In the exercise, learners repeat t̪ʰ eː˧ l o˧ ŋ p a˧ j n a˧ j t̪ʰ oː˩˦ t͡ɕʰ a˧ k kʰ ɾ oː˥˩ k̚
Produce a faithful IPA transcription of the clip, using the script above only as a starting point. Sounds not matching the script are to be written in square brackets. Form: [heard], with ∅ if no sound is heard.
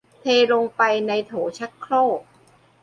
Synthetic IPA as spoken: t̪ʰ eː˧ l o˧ ŋ p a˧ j n a˧ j t̪ʰ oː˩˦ t͡ɕʰ [a˦˥] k kʰ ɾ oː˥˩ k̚